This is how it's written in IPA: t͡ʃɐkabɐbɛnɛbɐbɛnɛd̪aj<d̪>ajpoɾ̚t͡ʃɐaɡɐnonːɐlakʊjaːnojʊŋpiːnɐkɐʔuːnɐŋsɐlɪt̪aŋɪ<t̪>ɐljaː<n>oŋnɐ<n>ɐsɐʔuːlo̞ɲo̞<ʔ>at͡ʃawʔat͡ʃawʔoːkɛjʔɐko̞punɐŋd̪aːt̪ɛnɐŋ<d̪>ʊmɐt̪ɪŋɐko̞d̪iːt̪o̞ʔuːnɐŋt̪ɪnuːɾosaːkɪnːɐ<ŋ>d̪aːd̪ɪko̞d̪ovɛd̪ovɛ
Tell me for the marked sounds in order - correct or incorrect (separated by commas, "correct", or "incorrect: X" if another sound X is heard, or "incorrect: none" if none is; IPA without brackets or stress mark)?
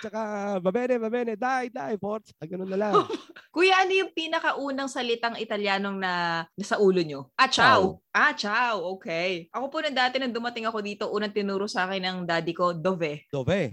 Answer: correct, correct, correct, correct, correct, correct, correct